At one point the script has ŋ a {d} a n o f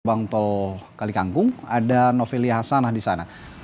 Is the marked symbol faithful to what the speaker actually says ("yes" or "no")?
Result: yes